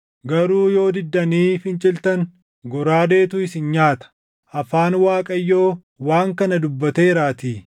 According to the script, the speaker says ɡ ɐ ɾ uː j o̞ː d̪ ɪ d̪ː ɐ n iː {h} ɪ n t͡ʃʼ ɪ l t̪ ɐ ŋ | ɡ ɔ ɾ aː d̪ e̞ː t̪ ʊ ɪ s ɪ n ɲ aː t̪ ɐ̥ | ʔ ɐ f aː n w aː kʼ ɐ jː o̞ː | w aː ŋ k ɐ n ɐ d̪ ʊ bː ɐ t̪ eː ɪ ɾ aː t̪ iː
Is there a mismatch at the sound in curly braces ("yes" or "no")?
yes